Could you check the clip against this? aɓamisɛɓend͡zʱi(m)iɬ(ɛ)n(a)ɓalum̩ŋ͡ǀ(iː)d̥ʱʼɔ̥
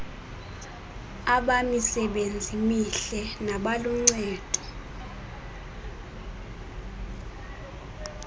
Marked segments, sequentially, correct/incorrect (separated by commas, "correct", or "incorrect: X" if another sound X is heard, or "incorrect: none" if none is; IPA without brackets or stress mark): correct, correct, correct, incorrect: ɛː